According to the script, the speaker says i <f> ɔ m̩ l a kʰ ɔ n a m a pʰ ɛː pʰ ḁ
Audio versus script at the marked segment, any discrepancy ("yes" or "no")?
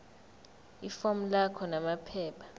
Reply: no